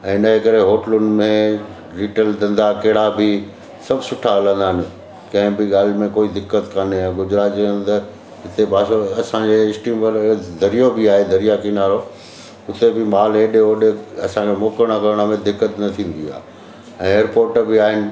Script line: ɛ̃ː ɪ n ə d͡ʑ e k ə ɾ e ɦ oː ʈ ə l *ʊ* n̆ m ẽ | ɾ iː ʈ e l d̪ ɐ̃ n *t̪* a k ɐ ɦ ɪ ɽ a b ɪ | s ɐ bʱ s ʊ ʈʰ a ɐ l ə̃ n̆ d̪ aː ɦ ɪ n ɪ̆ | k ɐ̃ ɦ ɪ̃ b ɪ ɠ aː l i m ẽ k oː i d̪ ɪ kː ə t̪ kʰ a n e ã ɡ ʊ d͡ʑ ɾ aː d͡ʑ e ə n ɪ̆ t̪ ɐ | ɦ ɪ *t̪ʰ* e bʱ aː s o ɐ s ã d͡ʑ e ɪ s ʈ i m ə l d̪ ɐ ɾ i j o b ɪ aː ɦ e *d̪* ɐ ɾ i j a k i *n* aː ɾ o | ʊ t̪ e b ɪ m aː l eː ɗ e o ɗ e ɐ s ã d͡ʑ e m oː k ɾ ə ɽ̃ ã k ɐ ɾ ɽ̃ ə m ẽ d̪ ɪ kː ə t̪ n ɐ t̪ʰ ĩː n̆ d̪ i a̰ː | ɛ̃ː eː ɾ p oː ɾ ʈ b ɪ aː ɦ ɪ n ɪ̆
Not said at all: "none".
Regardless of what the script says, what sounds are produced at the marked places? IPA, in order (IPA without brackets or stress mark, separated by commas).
ʊ, d̪, t̪, d̪, n